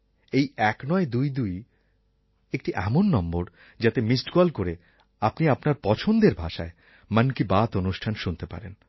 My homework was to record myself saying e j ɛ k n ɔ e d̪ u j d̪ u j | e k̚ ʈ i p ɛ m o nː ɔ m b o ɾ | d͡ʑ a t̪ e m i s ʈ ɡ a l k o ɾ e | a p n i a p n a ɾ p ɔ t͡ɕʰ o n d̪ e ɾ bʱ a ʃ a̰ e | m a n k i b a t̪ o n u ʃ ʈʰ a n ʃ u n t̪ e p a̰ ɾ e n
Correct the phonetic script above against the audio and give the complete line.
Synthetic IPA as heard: e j ɛ k n ɔ e d̪ u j d̪ u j | e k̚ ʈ i ʔ ɛ m o nː ɔ m b o ɾ | d͡ʑ a t̪ e m i s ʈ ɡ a l k o ɾ e | a p n i a p n a ɾ p ɔ t͡ɕʰ o n d̪ e ɾ bʱ a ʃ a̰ e | m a n k i b a t̪ o n u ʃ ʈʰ a n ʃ u n t̪ e p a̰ ɾ e n